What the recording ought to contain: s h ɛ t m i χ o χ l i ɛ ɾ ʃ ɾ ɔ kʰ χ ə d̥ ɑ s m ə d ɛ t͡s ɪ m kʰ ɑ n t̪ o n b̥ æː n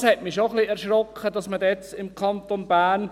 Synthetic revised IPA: s h ɛ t m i ʃ o χ l i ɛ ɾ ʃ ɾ ɔ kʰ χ ə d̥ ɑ s m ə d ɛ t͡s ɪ m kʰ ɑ n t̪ o n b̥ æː n